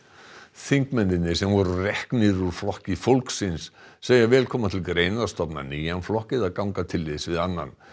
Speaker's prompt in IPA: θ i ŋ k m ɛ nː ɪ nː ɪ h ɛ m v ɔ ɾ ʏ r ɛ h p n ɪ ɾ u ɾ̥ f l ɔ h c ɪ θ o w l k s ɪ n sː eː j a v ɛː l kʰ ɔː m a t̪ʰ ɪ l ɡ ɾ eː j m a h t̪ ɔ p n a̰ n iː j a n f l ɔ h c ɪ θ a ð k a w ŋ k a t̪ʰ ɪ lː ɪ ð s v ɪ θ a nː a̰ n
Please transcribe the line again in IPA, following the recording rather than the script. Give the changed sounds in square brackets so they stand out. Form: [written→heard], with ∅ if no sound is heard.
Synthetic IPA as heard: θ i ŋ k m ɛ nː ɪ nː ɪ [h→s] ɛ m v ɔ ɾ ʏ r ɛ h [p→k] n ɪ ɾ u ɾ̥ f l ɔ h c ɪ [θ→f] o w l k s ɪ n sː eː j a v ɛː l kʰ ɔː m a t̪ʰ ɪ l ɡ ɾ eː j [m→n] a [h→s] t̪ ɔ p n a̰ n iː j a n f l ɔ h c ɪ [θ→ð] a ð k a w ŋ k a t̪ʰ ɪ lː ɪ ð s v ɪ [θ→ð] a nː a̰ n